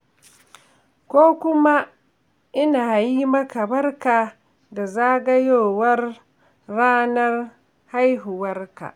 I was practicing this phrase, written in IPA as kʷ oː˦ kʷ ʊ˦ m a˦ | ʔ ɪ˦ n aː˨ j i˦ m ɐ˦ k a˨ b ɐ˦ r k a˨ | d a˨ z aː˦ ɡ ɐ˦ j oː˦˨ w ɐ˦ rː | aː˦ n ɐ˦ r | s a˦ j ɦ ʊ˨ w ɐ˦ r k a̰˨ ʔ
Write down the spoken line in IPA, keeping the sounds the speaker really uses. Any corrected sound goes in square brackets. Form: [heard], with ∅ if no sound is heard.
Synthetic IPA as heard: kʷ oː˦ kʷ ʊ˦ m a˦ | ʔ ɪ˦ n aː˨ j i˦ m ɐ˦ k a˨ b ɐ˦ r k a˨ | d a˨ z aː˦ ɡ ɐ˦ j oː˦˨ w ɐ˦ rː | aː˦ n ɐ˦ r | [h] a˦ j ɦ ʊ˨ w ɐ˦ r k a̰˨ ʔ